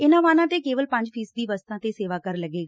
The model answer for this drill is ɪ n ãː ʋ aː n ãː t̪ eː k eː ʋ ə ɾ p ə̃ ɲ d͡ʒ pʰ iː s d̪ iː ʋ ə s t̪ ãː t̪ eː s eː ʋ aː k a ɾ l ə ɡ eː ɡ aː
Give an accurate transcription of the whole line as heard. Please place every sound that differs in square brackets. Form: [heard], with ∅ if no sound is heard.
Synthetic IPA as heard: ɪ n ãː ʋ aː n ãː t̪ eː k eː ʋ ə [l] p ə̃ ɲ d͡ʒ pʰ iː s d̪ iː ʋ ə s t̪ ãː t̪ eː s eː ʋ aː k [ə] ɾ l ə ɡ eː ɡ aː